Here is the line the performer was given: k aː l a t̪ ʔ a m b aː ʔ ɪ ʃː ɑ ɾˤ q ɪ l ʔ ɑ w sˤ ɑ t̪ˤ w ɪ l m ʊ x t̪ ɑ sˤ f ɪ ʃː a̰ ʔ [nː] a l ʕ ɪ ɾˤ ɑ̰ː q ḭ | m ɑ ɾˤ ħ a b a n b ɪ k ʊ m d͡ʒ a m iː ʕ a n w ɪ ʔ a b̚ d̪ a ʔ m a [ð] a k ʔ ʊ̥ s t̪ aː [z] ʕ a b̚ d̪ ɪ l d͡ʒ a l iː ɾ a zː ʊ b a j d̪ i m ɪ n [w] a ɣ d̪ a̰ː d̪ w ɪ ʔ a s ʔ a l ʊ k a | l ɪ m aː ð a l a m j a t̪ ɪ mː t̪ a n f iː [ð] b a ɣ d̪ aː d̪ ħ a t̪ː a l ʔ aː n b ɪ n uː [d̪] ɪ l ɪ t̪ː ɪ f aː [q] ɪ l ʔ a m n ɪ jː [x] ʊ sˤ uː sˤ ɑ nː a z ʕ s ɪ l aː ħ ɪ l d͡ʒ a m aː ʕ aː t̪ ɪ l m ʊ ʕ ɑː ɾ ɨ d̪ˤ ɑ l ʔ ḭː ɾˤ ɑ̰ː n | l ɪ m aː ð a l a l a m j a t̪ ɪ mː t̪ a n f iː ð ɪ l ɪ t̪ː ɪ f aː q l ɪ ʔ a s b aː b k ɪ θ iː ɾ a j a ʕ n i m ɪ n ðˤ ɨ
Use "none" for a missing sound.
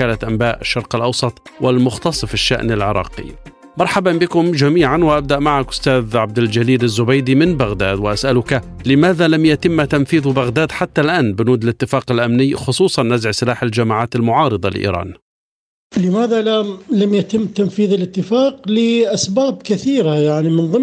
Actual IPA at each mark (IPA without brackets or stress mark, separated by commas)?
n, ʕ, ð, b, ð, d̪, q, x